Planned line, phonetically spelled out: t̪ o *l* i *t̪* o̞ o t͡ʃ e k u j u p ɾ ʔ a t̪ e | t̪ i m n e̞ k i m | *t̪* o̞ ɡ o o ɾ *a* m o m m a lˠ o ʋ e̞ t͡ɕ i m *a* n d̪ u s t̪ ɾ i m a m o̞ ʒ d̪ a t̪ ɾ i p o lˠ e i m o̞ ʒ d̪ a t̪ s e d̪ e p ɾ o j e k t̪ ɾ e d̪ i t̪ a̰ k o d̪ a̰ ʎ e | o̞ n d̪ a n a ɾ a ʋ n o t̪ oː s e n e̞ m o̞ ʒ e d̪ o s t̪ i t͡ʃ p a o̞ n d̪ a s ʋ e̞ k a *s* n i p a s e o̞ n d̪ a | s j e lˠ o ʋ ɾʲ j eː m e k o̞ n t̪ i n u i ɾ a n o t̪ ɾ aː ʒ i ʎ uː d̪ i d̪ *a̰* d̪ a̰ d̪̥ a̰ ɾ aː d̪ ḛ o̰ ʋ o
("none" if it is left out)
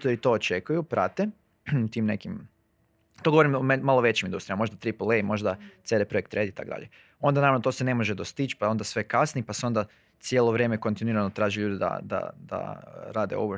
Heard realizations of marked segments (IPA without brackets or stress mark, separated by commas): ɾ, t̪, t̪, i, i, s, a̰